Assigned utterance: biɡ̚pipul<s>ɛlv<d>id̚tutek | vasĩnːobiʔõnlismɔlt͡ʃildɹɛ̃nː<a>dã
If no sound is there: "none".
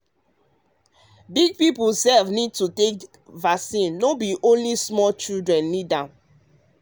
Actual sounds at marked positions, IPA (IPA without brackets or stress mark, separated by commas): s, n, i